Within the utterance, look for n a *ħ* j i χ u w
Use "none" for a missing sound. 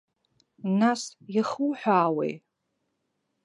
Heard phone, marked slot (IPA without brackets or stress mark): s